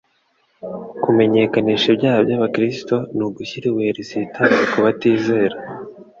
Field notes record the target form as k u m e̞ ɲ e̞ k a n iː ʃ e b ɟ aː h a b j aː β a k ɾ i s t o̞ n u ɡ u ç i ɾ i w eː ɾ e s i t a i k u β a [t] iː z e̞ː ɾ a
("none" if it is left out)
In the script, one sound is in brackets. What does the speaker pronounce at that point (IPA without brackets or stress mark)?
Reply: t